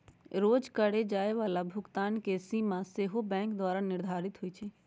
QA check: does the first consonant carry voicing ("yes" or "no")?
yes